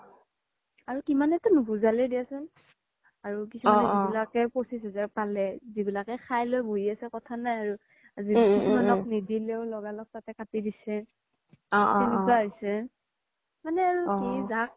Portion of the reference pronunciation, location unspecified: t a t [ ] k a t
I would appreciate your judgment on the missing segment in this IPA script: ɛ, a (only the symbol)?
ɛ